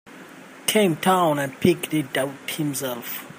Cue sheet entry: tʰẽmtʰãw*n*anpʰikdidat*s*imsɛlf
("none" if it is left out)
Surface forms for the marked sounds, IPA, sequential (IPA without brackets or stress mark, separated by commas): n, h